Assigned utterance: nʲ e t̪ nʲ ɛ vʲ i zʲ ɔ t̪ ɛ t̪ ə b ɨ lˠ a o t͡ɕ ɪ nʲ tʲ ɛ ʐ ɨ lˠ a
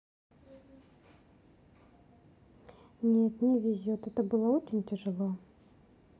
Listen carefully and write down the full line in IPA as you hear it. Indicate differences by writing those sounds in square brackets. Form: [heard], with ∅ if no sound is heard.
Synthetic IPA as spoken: nʲ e t̪ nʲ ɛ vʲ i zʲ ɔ t̪ ɛ t̪ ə b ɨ lˠ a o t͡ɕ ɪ nʲ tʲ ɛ ʐ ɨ lˠ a